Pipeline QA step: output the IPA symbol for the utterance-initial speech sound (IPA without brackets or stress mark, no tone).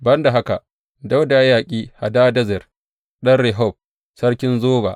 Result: b